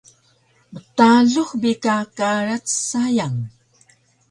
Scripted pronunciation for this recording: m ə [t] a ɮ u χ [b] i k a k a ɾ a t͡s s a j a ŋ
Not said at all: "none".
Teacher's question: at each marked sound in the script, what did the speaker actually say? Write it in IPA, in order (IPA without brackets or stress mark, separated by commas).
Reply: t, b